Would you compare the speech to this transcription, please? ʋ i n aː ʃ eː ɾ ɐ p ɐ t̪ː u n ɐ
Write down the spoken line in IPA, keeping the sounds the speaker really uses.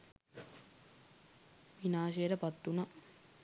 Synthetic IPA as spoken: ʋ i n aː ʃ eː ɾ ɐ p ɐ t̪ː u n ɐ